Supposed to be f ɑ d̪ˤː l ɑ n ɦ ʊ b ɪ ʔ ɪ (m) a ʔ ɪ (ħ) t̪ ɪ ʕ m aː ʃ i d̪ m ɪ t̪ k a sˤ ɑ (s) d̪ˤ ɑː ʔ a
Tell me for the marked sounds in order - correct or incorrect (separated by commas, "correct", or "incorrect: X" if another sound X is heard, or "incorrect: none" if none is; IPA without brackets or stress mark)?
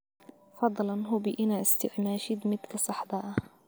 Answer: incorrect: n, incorrect: s, incorrect: ħ